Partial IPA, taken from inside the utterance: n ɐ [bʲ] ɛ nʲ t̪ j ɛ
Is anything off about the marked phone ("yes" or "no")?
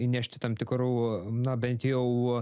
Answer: no